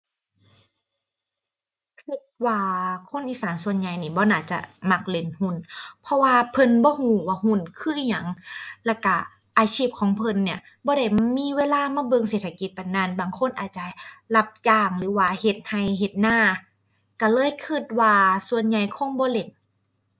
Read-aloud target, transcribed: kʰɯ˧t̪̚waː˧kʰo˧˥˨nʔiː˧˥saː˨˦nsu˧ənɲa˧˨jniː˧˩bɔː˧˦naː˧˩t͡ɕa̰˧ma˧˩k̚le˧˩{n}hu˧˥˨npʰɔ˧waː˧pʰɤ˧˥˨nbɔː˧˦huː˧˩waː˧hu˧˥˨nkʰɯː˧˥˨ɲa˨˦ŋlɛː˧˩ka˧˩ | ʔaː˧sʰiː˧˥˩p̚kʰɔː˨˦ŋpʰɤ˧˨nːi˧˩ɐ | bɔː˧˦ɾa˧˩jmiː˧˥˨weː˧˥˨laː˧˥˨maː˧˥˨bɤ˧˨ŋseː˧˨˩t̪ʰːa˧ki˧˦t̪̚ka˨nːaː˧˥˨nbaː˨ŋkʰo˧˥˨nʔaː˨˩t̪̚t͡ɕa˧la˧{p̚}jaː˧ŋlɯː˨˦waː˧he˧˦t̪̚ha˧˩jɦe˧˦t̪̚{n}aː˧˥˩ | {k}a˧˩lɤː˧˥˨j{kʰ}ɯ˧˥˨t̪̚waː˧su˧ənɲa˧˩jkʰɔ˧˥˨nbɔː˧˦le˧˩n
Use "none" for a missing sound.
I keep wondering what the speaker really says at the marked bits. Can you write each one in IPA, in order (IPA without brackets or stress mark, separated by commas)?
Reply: n, p̚, n, k, kʰ